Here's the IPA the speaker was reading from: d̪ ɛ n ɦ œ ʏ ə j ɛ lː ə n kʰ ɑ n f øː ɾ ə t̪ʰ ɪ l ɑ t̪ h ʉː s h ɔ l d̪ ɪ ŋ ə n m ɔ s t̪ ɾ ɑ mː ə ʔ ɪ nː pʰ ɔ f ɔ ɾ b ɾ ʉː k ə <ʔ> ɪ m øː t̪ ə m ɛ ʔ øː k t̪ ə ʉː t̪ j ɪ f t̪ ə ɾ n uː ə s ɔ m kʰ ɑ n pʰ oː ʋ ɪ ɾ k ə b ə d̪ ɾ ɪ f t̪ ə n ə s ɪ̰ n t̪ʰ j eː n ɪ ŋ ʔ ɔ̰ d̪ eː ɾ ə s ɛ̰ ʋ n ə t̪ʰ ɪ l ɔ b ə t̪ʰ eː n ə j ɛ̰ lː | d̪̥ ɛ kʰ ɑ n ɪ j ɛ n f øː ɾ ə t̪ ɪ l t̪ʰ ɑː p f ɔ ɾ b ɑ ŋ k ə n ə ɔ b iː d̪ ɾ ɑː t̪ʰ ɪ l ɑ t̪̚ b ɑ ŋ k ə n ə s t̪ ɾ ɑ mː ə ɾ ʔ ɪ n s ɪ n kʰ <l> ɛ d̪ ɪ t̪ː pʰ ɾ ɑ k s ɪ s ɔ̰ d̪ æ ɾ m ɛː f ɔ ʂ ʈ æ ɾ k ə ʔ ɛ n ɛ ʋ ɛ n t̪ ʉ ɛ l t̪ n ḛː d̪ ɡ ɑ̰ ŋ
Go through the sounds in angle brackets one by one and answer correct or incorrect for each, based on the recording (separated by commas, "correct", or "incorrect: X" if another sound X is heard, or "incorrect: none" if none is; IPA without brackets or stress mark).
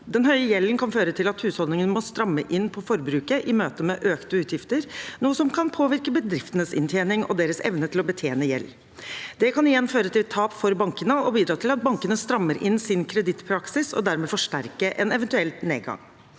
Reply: correct, incorrect: ɾ